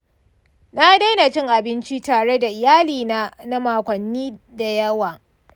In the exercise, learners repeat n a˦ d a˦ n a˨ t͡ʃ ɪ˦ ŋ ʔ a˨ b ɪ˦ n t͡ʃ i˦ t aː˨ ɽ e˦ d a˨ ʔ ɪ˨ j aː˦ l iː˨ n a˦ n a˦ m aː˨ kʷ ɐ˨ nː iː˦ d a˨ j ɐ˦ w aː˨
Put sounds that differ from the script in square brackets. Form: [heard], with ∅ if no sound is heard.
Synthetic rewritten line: n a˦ d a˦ n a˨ t͡ʃ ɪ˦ ŋ ʔ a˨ b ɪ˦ n t͡ʃ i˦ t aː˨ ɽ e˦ d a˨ ʔ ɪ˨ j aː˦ l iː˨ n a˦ n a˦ m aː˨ kʷ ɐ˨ nː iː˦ d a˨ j ɐ˦ w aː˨